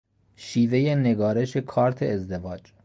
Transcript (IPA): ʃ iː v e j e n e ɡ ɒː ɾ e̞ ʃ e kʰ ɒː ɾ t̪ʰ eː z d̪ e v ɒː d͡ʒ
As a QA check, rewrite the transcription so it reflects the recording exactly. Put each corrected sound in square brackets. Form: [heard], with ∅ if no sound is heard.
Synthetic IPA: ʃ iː v e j e n e ɡ ɒː ɾ e̞ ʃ e kʰ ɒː ɾ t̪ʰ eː z d̪ e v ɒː d͡ʒ